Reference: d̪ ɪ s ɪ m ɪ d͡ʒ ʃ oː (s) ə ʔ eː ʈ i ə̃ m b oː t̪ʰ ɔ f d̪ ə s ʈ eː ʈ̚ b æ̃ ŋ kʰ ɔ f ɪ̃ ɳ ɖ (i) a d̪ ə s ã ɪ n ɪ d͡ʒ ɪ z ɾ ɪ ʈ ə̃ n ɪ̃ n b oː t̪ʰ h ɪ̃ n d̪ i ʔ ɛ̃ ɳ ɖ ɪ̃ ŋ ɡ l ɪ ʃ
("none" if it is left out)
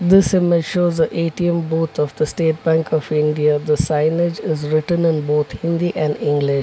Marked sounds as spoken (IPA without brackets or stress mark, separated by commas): z, i